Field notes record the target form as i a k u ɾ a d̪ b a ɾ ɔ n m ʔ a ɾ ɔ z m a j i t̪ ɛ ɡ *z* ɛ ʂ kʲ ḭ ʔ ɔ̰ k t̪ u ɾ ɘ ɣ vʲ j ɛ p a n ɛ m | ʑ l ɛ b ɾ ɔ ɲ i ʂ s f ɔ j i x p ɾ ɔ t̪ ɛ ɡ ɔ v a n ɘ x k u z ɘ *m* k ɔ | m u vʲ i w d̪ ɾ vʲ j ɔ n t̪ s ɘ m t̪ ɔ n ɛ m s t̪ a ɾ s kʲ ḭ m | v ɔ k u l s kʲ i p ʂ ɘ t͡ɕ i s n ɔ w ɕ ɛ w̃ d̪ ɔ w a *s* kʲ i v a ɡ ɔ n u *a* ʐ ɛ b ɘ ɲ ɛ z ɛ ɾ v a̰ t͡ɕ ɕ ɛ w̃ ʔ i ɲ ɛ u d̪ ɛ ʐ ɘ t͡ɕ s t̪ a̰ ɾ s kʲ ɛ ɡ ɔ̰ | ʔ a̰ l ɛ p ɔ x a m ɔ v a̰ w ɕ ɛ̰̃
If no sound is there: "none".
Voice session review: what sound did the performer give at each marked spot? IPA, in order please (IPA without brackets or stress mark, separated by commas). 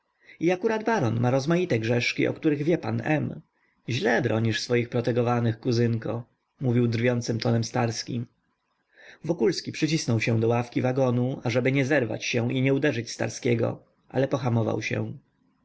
ʐ, ŋ, f, a